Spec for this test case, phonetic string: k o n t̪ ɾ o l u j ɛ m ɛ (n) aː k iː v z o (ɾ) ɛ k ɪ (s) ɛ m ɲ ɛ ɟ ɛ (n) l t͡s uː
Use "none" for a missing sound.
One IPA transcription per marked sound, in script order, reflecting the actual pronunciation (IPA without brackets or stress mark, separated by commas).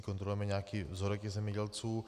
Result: ɲ, ɾ, z, none